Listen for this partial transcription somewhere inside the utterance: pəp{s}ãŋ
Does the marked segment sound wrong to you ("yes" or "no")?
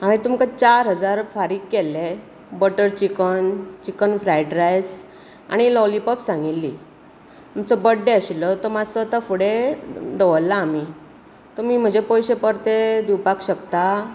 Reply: no